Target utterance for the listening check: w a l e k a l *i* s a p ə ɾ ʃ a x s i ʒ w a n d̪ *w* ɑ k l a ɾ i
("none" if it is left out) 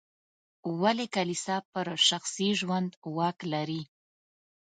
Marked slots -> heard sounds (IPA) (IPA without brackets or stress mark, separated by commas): i, w